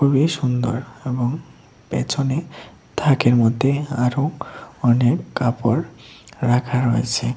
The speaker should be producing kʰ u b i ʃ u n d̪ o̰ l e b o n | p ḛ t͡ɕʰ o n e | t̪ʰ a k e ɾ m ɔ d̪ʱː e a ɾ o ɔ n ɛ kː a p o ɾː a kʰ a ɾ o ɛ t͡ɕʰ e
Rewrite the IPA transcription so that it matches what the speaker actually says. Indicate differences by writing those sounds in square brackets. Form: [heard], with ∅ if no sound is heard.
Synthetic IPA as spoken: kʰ u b i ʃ u n d̪ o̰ [ɾ] e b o [ŋ] | p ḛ t͡ɕʰ o n e | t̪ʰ a k e ɾ m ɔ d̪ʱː e a ɾ o ɔ n [e] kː a p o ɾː a kʰ a ɾ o [e] t͡ɕʰ e